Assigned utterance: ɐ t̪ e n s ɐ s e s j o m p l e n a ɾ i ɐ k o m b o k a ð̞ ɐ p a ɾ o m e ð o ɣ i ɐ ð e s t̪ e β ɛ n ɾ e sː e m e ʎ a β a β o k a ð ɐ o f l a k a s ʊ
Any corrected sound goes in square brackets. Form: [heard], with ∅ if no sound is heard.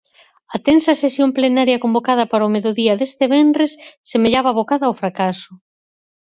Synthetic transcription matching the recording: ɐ t̪ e n s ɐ s e s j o m p l e n a ɾ [j] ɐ k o m b o k a ð̞ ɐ p a ɾ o m e ð o [ð] i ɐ ð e s t̪ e β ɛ n ɾ e sː e m e ʎ a β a β o k a ð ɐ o f [ɾ] a k a s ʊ